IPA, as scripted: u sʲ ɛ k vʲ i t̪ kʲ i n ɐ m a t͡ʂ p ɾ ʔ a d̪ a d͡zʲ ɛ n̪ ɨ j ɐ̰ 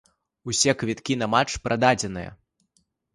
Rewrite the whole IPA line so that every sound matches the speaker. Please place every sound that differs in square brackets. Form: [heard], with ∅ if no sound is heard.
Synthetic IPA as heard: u sʲ ɛ k vʲ i t̪ kʲ i n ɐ m a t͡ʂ p ɾ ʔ a d̪ a d͡zʲ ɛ n̪ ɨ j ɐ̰